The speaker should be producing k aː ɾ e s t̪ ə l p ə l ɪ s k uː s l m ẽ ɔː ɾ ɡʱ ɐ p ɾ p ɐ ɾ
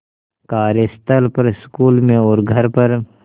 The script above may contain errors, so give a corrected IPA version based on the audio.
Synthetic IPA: k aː ɾ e s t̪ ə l p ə ɾ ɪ s k uː l m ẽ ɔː ɾ ɡʱ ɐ ɾ p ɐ ɾ